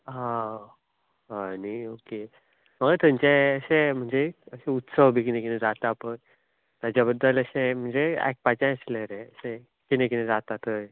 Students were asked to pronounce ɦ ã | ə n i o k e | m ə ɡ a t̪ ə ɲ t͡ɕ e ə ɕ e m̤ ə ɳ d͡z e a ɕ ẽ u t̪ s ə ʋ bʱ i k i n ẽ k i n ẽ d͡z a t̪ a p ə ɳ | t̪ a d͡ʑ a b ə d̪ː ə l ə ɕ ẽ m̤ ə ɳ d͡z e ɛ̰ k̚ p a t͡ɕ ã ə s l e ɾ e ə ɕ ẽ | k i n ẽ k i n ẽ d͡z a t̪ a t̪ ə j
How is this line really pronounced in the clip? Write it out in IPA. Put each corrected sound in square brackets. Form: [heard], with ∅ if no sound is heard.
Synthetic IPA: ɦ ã | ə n i o k e | m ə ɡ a t̪ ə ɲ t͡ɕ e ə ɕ e m̤ ə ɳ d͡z e [ə] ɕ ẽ u t̪ s ə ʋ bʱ i k i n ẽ k i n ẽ d͡z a t̪ a p ə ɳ | t̪ a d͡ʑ a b ə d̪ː ə l ə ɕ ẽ m̤ ə ɳ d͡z e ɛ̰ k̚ p a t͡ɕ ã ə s l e ɾ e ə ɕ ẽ | k i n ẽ k i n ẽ d͡z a t̪ a t̪ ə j